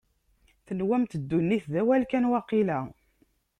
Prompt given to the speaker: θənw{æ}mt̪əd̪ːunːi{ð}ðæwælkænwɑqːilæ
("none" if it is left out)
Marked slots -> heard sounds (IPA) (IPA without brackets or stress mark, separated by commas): æ, θ